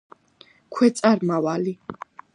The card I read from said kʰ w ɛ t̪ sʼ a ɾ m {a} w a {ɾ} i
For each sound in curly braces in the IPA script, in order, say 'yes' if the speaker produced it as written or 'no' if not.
yes, no

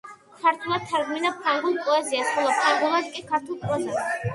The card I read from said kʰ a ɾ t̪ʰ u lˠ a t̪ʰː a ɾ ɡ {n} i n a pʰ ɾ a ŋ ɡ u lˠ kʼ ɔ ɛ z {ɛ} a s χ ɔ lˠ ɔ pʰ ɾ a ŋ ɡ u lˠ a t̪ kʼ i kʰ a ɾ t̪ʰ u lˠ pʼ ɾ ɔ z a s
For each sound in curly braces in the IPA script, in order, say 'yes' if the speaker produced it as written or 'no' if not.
no, no

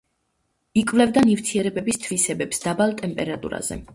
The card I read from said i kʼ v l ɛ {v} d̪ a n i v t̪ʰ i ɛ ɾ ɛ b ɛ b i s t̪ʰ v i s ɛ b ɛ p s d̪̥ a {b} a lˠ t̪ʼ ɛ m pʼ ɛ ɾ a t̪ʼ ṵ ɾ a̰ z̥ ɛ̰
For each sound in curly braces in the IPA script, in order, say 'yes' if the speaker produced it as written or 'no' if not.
yes, yes

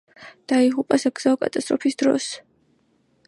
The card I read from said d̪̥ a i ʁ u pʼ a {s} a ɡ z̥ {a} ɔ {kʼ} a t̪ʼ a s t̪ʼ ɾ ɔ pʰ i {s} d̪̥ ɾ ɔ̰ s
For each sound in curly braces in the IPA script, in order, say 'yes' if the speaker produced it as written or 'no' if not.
yes, yes, yes, yes

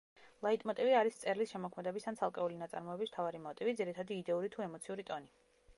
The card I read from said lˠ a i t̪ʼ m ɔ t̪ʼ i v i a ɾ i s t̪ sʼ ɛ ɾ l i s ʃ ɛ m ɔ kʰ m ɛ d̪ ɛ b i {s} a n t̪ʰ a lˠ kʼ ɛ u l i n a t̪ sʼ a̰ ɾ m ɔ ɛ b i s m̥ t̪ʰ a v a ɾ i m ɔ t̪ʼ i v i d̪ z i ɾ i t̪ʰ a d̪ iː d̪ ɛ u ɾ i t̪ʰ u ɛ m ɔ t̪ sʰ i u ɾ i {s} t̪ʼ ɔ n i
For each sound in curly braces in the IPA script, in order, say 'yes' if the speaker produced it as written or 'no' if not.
yes, no

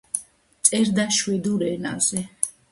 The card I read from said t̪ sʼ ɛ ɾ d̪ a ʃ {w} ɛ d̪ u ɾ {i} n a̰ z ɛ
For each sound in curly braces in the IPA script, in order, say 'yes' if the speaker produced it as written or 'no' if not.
yes, no

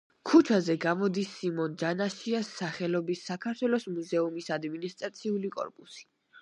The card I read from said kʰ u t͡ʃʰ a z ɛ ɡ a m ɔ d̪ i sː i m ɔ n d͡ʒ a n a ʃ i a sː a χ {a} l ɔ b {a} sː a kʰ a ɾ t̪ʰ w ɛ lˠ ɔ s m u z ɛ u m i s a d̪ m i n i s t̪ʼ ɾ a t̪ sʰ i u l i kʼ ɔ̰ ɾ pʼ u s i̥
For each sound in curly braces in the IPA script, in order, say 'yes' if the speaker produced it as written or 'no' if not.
no, no

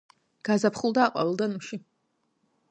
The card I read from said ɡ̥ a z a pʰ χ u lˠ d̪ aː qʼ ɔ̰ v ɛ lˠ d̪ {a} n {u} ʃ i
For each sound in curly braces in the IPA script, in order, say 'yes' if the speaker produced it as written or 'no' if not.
yes, yes

